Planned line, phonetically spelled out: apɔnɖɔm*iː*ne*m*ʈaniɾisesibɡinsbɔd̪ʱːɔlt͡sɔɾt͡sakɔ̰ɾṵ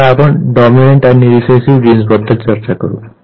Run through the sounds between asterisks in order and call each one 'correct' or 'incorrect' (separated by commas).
incorrect, incorrect